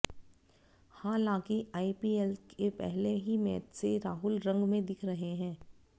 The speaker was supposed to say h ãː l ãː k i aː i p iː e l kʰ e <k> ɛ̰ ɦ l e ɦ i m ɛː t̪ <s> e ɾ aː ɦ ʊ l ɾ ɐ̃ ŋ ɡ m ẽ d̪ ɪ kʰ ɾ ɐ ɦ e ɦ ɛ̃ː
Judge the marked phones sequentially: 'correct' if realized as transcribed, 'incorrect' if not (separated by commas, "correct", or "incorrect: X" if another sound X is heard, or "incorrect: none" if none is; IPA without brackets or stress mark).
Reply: incorrect: p, correct